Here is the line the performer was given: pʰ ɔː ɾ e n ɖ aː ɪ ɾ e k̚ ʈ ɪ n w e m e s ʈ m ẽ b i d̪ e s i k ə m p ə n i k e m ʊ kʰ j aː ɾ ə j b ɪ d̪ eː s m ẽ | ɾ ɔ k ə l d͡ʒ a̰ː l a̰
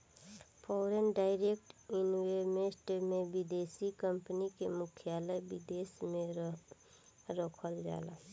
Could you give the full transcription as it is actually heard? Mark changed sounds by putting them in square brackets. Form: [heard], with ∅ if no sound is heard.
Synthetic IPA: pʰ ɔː ɾ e n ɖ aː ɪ ɾ e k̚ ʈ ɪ n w e m e s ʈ m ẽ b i d̪ e s i k ə m p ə n i k e m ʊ kʰ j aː [l] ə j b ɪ d̪ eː s m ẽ | ɾ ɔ [kʰ] ə l d͡ʒ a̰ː l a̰